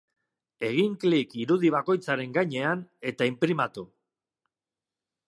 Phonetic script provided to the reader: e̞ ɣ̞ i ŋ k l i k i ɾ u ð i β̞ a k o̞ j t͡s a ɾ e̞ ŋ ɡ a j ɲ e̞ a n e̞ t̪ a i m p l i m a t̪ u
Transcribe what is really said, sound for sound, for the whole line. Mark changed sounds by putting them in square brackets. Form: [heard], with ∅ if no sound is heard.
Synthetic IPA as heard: e̞ ɣ̞ i ŋ k l i k i ɾ u ð i β̞ a k o̞ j t͡s a ɾ e̞ ŋ ɡ a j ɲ e̞ a n e̞ t̪ a i m p [ɾ] i m a t̪ u

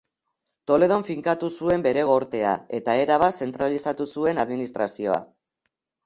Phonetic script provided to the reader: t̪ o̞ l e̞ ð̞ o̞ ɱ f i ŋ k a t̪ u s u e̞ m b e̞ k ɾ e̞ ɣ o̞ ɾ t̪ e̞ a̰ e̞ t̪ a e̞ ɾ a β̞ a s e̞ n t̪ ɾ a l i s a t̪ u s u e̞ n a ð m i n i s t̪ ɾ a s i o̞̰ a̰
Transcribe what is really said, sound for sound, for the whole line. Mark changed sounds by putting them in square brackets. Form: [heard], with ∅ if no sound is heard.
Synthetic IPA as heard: t̪ o̞ l e̞ ð̞ o̞ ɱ f i ŋ k a t̪ u s u e̞ m b e̞ [∅] ɾ e̞ ɣ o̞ ɾ t̪ e̞ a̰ e̞ t̪ a e̞ ɾ a β̞ a s e̞ n t̪ ɾ a l i s a t̪ u s u e̞ n a ð m i n i s t̪ ɾ a s i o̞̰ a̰

